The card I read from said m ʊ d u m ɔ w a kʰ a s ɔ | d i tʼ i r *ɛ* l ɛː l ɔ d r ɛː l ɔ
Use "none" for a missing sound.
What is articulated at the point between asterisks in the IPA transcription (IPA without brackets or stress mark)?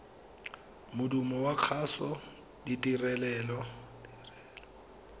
ɛ